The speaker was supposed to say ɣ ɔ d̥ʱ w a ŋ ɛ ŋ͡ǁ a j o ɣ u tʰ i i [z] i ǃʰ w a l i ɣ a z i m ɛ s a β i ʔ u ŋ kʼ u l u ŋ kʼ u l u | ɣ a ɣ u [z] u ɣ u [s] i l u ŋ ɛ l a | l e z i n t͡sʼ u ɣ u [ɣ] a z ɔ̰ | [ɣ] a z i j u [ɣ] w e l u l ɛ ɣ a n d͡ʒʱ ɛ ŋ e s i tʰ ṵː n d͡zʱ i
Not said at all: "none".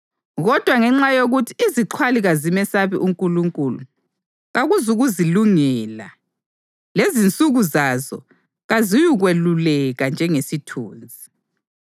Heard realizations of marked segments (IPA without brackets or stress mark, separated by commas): z, z, z, z, ɣ, ɣ